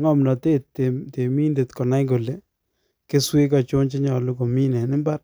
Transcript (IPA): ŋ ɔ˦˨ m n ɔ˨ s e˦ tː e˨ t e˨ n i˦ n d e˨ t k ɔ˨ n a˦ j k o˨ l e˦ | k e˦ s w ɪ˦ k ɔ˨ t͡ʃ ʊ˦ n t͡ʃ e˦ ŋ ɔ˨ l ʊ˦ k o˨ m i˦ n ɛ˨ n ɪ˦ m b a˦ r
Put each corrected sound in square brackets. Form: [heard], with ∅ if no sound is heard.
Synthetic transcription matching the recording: ŋ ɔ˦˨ m n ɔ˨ [t] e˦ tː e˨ t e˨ [m] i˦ n d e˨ t k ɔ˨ n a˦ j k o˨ l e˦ | k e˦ s w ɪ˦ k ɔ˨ t͡ʃ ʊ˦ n t͡ʃ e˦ [ɲ] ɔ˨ l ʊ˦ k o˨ m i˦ n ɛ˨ n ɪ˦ m b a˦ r